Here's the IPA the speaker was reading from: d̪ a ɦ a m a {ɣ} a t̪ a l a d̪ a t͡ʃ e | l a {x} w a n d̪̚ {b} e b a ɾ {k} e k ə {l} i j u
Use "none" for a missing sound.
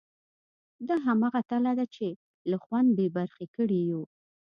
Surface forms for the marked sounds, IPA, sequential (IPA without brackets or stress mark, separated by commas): ɣ, x, b, x, ɽ